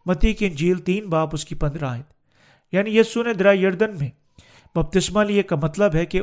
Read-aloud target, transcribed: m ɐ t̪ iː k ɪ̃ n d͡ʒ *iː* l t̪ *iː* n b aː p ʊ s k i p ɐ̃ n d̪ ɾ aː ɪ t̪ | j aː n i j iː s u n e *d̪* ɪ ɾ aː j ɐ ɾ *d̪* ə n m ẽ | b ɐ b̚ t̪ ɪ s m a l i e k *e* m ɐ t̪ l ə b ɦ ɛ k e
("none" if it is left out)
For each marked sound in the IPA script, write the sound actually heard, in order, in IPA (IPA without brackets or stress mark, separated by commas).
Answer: iː, iː, d̪, d̪, a